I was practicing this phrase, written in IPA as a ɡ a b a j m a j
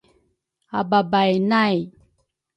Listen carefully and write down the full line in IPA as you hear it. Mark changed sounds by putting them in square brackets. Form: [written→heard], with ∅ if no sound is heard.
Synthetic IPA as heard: a [ɡ→b] a b a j [m→n] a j